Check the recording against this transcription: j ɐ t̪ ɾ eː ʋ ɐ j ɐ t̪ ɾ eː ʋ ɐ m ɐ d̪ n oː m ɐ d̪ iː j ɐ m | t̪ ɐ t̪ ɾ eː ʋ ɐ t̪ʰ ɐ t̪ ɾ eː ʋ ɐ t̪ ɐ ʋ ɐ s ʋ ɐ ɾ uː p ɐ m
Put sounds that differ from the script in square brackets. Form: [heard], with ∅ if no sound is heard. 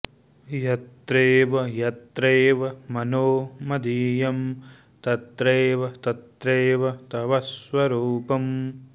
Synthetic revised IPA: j ɐ t̪ ɾ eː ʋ ɐ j ɐ t̪ ɾ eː ʋ ɐ m ɐ [∅] n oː m ɐ d̪ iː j ɐ m | t̪ ɐ t̪ ɾ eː ʋ ɐ [t̪] ɐ t̪ ɾ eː ʋ ɐ t̪ ɐ ʋ ɐ s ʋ ɐ ɾ uː p ɐ m